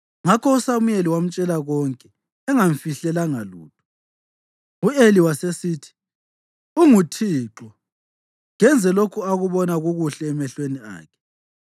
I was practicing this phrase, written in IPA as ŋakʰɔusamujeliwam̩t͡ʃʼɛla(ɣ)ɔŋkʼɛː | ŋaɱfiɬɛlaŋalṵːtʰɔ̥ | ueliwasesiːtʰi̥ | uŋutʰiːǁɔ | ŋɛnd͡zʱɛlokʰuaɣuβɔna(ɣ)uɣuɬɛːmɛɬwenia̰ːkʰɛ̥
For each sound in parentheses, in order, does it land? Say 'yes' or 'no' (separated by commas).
yes, yes